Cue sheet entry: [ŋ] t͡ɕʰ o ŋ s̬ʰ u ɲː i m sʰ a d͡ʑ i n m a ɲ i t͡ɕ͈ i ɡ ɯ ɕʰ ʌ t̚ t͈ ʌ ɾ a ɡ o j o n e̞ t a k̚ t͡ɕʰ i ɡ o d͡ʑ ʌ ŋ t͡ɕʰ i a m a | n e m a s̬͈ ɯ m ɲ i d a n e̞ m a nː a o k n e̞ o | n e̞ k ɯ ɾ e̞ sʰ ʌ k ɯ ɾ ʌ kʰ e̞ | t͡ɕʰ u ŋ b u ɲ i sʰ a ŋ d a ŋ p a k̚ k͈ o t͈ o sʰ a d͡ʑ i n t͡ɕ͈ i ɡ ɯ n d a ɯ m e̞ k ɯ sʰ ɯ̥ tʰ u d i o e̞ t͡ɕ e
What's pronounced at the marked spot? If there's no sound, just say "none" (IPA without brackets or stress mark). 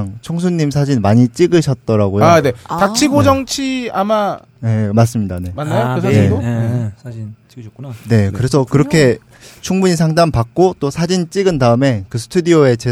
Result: ŋ